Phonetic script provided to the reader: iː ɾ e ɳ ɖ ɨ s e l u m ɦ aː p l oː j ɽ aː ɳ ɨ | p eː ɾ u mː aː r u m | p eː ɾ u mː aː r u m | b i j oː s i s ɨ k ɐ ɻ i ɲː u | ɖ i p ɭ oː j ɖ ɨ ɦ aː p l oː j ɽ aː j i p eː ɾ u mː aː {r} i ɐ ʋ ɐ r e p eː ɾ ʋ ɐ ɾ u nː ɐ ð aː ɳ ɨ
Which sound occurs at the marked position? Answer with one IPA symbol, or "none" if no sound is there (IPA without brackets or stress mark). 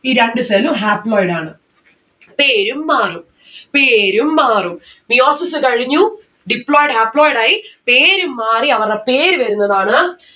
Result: r